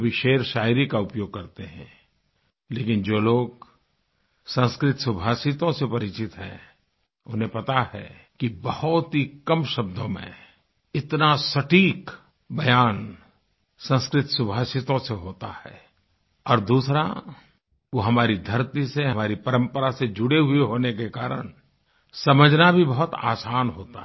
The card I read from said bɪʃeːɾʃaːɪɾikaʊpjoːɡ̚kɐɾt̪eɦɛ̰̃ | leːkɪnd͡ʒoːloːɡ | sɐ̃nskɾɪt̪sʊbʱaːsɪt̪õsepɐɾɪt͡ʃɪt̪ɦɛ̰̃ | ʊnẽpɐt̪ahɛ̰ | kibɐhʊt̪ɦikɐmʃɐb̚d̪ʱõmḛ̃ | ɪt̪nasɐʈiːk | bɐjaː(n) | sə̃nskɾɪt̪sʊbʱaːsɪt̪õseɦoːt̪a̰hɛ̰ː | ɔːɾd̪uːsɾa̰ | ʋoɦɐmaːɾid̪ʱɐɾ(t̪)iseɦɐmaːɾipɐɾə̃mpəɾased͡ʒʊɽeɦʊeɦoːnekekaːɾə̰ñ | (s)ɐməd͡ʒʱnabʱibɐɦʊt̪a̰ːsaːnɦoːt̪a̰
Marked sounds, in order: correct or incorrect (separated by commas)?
correct, correct, correct